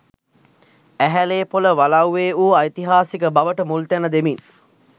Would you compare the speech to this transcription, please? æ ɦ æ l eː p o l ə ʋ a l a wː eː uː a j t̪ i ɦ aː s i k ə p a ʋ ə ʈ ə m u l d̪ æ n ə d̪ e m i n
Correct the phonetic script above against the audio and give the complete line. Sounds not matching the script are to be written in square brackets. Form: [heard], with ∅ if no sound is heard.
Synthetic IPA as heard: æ ɦ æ l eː p o l ə ʋ a l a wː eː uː a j t̪ i ɦ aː s i k ə [b] a ʋ ə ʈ ə m u l [t̪] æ n ə d̪ e m i n